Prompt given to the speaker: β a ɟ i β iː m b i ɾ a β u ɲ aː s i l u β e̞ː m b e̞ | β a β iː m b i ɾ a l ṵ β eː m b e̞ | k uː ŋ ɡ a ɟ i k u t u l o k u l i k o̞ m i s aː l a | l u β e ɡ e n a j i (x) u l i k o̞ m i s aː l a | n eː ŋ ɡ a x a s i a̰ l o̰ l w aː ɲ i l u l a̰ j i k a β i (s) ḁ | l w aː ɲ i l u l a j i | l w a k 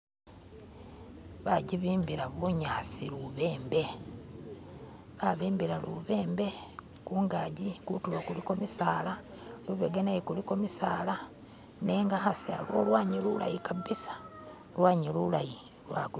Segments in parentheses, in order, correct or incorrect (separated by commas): incorrect, correct